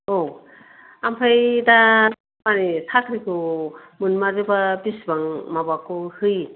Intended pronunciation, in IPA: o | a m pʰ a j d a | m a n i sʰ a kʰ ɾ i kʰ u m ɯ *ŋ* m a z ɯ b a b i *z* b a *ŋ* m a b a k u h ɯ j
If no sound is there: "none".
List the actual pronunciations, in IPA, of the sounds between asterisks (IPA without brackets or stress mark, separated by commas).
n, s, ŋ